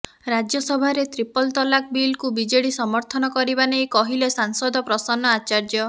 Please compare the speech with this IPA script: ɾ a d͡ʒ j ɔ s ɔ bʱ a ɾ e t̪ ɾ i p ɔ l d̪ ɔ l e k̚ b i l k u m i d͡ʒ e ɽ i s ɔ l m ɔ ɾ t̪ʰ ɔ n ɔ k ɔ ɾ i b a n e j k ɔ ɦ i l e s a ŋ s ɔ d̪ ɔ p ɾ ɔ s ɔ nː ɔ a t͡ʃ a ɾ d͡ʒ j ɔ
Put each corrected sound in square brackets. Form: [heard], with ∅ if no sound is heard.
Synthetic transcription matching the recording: ɾ a d͡ʒ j ɔ s ɔ bʱ a ɾ e t̪ ɾ i p ɔ l [t̪] ɔ l [a] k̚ b i l k u [b] i d͡ʒ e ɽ i s ɔ [∅] m ɔ ɾ t̪ʰ ɔ n ɔ k ɔ ɾ i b a n e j k ɔ ɦ i l e s a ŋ s ɔ d̪ ɔ p ɾ ɔ s ɔ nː ɔ a t͡ʃ a ɾ d͡ʒ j ɔ